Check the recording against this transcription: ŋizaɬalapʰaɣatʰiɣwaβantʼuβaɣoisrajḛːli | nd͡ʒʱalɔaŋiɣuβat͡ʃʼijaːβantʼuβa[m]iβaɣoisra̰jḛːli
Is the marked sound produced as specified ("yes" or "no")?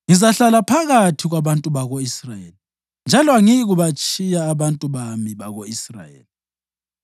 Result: yes